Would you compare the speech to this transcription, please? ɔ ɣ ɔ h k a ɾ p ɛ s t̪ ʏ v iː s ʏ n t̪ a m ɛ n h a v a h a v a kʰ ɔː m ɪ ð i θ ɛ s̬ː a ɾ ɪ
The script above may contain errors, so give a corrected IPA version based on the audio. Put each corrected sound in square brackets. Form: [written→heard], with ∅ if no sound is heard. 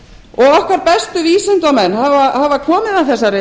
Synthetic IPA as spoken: ɔ ɣ ɔ h k a ɾ p ɛ s t̪ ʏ v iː s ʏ n t̪ a m ɛ n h a v a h a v a kʰ ɔː m ɪ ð [i→a] θ ɛ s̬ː a ɾ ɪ